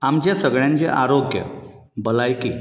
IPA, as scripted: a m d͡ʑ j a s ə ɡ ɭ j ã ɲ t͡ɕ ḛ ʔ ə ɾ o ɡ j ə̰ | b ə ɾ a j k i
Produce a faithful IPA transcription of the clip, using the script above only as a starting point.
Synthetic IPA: a m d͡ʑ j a s ə ɡ ɭ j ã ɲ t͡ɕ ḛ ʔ a ɾ o ɡ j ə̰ | b ə l a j k i